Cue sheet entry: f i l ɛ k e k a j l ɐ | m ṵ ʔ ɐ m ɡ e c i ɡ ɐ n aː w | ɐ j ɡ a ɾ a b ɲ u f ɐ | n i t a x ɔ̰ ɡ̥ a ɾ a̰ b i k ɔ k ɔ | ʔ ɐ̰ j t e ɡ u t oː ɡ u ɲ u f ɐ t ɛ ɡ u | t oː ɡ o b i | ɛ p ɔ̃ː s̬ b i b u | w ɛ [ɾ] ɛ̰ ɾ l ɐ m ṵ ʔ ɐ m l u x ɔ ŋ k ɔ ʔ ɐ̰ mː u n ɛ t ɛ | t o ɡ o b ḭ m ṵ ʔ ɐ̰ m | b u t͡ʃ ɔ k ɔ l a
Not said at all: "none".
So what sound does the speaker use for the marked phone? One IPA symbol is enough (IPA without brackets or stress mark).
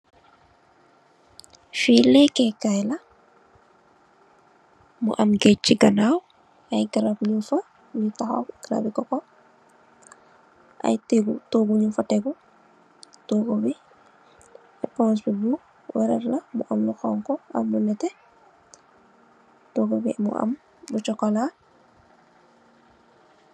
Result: ɾ